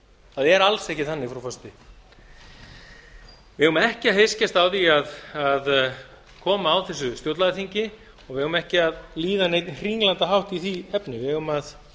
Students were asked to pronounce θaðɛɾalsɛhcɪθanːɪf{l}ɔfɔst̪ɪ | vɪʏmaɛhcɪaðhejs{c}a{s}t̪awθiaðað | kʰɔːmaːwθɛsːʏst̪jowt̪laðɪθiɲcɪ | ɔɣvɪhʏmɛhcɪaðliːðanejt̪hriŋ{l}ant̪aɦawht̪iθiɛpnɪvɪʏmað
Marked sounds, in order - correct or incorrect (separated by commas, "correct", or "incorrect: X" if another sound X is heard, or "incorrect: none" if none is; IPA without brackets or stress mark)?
incorrect: ɾ, correct, correct, correct